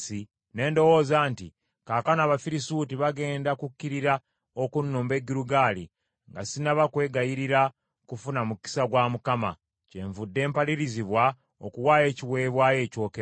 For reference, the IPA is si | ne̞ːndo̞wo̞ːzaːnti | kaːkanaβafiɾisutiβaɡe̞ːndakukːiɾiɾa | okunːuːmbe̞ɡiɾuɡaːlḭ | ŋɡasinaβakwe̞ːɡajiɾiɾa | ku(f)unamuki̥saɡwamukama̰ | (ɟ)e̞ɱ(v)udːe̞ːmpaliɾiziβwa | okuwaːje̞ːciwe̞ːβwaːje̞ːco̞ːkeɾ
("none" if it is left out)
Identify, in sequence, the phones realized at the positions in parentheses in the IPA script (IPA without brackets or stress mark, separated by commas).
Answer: f, c, v